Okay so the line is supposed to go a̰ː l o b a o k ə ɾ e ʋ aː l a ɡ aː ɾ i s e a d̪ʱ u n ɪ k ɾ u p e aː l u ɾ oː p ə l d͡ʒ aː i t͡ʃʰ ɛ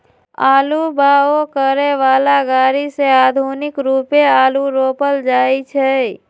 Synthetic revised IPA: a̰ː l u b a o k ə ɾ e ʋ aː l a ɡ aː ɾ i s e a d̪ʱ u n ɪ k ɾ u p e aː l u ɾ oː p ə l d͡ʒ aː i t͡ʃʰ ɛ